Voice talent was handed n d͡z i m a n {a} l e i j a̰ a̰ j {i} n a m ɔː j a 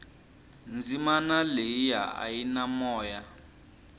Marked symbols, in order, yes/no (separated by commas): yes, yes